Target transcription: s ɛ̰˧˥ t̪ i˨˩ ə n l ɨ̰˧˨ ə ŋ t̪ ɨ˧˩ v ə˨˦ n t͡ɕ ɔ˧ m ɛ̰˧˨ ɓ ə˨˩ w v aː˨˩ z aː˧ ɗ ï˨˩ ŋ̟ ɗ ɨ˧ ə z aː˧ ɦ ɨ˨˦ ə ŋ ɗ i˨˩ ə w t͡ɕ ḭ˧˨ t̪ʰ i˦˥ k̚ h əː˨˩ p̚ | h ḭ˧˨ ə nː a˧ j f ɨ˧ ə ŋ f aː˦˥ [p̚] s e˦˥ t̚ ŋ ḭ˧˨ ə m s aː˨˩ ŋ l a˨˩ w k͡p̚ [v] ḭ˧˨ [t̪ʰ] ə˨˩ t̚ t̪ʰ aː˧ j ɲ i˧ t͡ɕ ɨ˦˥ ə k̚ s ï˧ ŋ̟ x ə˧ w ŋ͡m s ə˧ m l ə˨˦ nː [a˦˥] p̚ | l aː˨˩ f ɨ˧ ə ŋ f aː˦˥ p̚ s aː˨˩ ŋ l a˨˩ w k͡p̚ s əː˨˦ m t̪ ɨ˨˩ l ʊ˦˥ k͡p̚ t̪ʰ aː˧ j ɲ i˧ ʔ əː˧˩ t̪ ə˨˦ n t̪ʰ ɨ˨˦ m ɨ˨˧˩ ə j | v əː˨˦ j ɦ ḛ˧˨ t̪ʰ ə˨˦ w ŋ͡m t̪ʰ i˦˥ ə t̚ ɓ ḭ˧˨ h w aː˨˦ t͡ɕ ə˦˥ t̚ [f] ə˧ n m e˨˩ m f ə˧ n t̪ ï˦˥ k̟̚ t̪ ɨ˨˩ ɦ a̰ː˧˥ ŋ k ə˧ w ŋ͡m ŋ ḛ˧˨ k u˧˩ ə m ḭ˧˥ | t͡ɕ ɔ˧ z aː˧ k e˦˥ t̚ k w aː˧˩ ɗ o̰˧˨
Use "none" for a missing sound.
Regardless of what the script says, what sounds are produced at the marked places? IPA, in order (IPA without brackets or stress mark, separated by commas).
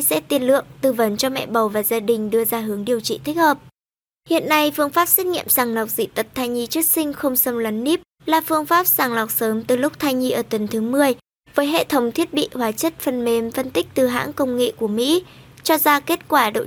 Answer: p̚, z, t̪, i˦˥, f